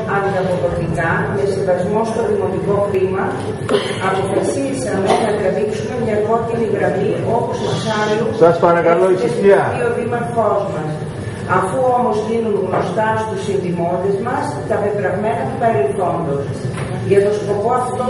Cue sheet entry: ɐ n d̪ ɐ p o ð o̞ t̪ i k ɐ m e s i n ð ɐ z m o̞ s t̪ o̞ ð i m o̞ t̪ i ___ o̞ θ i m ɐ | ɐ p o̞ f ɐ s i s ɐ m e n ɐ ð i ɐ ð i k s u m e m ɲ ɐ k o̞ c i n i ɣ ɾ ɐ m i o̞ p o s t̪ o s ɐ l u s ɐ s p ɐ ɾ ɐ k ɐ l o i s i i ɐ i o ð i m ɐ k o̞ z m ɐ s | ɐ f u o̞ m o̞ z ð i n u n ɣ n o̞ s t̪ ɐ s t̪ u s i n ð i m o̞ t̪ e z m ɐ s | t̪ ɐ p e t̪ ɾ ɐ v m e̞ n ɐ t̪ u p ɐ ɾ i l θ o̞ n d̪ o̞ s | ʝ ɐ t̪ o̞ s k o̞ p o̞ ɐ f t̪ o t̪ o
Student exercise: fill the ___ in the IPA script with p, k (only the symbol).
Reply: k